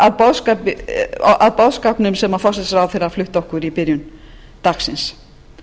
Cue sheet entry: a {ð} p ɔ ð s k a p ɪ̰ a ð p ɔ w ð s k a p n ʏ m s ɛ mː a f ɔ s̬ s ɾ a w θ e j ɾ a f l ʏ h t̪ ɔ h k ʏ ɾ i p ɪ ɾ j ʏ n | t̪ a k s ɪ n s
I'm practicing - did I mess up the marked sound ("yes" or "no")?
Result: no